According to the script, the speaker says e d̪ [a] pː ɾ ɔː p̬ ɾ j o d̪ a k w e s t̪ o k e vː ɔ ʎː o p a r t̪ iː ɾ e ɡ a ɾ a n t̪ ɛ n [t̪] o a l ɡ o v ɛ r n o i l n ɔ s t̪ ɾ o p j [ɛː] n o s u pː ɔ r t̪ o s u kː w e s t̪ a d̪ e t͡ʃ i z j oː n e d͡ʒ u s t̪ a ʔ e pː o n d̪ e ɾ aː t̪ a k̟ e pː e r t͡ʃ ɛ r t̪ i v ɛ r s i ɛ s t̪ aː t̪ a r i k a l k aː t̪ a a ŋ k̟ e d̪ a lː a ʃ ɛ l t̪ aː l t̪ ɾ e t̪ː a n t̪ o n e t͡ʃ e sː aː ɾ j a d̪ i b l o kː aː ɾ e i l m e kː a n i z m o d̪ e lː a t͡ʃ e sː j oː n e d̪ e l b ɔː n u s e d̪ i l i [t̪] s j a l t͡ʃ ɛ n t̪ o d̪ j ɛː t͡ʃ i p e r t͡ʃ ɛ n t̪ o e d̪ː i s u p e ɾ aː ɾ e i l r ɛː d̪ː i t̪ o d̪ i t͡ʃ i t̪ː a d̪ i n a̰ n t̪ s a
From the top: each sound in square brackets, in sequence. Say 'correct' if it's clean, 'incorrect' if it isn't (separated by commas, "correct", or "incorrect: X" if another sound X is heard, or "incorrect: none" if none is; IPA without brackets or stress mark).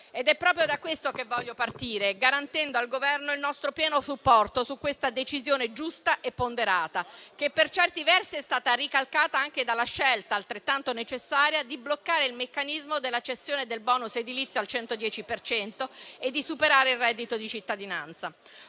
incorrect: ɛ, incorrect: d̪, correct, correct